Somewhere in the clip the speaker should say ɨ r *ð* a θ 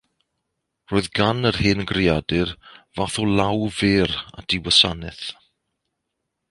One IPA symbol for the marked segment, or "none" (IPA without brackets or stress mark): v